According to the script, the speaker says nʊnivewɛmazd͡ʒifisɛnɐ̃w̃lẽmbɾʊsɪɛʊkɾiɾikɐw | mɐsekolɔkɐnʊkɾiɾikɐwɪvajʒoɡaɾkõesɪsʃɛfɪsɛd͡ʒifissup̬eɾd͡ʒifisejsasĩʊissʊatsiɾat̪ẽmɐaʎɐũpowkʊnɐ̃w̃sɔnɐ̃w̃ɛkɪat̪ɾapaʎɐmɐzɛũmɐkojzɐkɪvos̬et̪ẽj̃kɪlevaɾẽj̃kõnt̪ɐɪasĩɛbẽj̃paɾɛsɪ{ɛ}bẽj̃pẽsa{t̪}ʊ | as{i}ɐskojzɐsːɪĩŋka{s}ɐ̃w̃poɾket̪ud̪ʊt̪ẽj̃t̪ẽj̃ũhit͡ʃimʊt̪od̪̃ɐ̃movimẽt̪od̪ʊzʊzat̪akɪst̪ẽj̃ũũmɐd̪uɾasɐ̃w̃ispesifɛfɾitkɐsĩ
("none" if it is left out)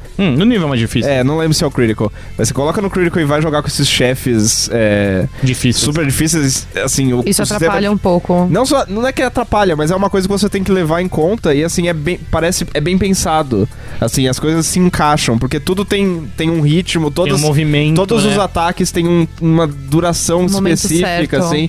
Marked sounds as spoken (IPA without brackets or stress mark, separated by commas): ɛ, d̪, ĩ, ʃ